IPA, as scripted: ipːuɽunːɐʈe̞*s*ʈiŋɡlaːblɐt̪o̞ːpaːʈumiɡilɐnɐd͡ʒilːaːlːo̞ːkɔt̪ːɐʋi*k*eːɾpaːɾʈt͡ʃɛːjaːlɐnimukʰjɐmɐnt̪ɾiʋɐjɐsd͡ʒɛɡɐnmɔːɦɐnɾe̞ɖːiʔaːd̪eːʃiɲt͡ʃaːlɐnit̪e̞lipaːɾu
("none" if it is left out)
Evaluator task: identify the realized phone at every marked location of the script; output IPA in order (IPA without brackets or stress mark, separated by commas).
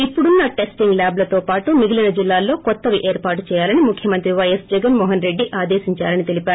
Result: s, ʔ